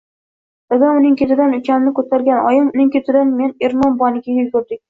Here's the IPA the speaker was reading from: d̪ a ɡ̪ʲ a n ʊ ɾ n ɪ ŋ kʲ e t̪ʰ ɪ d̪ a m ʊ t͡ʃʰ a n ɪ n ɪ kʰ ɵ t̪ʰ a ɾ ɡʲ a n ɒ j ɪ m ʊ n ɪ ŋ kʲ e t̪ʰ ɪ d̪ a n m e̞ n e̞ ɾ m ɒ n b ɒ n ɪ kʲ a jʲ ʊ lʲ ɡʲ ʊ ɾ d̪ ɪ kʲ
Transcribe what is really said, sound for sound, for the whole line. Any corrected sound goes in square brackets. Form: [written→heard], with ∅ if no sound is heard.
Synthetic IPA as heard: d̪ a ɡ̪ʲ a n ʊ [ɾ→∅] n ɪ ŋ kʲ e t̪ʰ ɪ d̪ a [m→n] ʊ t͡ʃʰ a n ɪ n ɪ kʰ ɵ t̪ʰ a ɾ ɡʲ a n ɒ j ɪ m ʊ n ɪ ŋ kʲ e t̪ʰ ɪ d̪ a n m e̞ n e̞ ɾ m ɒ n b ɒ n ɪ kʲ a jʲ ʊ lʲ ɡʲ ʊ ɾ d̪ ɪ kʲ